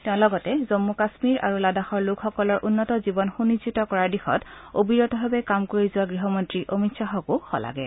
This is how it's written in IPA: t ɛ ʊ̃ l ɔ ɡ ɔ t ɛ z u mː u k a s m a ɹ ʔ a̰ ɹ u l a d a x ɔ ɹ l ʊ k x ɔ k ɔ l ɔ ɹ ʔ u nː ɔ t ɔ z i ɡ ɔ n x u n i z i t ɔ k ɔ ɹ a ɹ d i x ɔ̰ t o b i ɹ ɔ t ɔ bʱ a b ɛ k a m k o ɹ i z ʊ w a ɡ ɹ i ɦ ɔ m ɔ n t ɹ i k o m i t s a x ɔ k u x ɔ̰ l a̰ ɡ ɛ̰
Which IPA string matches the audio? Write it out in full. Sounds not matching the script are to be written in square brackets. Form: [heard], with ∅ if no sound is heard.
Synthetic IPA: t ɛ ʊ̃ l ɔ ɡ ɔ t ɛ z [o] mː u k a s m [i] ɹ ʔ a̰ ɹ u l a d a x ɔ ɹ l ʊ k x ɔ k ɔ l ɔ ɹ ʔ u nː ɔ t ɔ z i [b] ɔ n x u n i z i t ɔ k ɔ ɹ a ɹ d i x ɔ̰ t o b i ɹ ɔ t ɔ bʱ a b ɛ k a m k o ɹ i z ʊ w a ɡ ɹ i ɦ ɔ m ɔ n t ɹ i [ʔ] o m i t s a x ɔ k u x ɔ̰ l a̰ ɡ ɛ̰